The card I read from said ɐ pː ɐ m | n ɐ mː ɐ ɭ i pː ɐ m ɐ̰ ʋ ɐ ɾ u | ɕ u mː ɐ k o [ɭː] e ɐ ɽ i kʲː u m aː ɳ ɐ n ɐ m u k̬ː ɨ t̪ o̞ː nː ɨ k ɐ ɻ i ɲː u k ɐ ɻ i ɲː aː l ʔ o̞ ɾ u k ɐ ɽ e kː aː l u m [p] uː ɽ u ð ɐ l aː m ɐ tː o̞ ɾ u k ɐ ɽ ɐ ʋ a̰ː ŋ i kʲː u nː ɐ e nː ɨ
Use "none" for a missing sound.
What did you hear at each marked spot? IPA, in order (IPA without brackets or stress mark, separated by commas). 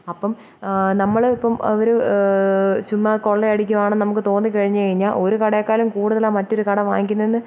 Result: ɭː, k